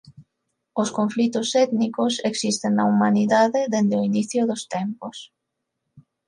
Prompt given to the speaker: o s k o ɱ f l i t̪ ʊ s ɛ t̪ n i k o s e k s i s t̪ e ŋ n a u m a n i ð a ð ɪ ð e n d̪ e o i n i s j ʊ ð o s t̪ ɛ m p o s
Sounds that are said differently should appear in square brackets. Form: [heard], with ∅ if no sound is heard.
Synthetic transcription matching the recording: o s k o ɱ f l i t̪ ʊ s ɛ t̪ n i k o s e k s i s t̪ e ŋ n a u m a n i ð a ð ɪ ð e n d̪ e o i n i [θ] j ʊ ð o s t̪ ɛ m p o s